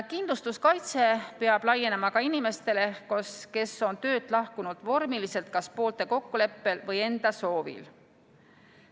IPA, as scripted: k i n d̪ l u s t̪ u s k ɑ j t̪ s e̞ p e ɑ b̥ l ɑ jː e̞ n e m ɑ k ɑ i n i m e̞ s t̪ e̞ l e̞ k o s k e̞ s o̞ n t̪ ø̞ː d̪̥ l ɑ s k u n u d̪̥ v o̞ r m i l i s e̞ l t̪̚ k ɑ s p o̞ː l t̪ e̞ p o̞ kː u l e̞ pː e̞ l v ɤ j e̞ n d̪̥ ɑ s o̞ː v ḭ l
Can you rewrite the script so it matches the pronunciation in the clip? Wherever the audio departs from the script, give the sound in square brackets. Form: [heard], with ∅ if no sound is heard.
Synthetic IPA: k i n d̪ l u s t̪ u s k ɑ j t̪ s e̞ p e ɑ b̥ l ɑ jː e̞ n e m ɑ k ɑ i n i m e̞ s t̪ e̞ l e̞ k o s k e̞ s o̞ n t̪ ø̞ː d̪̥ l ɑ [h] k u n u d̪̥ v o̞ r m i l i s e̞ l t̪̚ k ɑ s p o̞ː l t̪ e̞ [k] o̞ kː u l e̞ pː e̞ l v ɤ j e̞ n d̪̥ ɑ s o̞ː v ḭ l